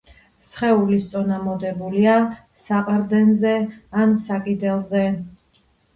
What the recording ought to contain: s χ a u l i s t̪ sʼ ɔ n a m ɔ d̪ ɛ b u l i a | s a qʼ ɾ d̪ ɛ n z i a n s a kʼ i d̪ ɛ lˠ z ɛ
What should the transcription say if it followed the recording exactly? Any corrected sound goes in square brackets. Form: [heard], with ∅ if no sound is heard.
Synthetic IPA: s χ [ɛ] u l i s t̪ sʼ ɔ n a m ɔ d̪ ɛ b u l i a | s a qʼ ɾ d̪ ɛ n z [ɛ] a n s a kʼ i d̪ ɛ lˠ z ɛ